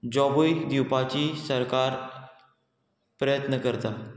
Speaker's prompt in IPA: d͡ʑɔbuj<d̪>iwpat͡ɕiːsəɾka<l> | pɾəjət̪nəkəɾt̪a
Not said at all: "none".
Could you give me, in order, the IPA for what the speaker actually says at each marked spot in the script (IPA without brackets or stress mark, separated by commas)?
d̪, ɾ